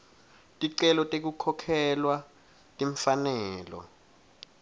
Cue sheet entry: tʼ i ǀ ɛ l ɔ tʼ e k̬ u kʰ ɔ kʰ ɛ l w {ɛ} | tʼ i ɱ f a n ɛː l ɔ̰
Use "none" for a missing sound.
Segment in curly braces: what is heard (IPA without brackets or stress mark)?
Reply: a